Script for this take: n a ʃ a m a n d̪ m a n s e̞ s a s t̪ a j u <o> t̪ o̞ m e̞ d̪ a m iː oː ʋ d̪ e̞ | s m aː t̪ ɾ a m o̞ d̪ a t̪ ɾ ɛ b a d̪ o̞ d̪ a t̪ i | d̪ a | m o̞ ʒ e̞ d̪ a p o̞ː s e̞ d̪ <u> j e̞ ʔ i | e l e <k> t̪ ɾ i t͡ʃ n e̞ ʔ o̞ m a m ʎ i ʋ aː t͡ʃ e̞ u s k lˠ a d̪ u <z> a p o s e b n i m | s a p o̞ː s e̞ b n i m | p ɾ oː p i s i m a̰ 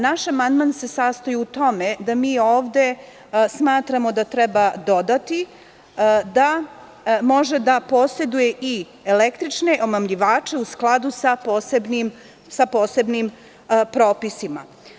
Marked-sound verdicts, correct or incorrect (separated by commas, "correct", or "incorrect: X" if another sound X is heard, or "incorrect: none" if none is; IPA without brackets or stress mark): incorrect: u, correct, correct, incorrect: s